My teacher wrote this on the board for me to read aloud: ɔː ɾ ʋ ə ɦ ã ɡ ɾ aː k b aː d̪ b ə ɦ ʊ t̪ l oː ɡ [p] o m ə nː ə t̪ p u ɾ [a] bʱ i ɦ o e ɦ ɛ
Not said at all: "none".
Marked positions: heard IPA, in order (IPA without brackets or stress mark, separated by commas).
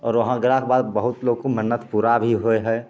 k, a